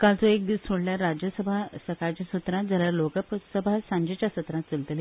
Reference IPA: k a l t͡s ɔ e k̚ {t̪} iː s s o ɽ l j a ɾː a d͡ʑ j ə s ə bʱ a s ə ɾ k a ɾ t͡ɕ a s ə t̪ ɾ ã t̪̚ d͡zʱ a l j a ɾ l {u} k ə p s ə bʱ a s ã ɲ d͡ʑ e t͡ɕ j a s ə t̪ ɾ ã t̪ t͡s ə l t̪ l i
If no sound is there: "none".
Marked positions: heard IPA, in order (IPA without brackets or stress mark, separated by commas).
d̪, o